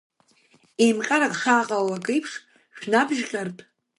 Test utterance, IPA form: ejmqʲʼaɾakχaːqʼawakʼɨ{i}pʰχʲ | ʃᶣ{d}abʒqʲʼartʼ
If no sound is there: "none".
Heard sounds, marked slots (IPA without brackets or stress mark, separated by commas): j, n